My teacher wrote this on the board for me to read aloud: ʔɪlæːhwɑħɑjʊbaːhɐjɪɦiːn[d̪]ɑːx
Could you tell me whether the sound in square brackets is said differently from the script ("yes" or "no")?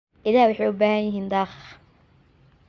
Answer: no